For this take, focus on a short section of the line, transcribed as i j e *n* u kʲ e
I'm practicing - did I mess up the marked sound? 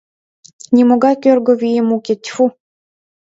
yes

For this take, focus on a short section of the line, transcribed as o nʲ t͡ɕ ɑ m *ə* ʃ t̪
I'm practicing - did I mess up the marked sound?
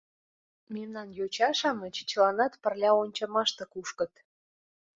yes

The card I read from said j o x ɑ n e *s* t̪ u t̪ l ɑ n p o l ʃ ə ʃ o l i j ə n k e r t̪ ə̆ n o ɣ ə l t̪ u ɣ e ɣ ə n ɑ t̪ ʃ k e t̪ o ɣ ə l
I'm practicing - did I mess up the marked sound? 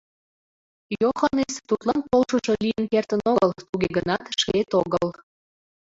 no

